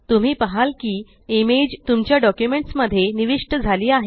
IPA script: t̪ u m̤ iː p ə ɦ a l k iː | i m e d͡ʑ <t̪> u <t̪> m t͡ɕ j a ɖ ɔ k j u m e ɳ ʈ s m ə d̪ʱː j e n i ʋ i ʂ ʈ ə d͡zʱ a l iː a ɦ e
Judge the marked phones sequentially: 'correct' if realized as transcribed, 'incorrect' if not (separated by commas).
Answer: correct, incorrect